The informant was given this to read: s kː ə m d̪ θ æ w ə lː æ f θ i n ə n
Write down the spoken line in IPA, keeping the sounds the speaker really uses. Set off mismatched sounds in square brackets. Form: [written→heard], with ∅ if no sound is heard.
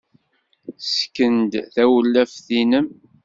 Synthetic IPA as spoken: s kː ə [m→n] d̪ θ æ w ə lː æ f θ i n ə [n→m]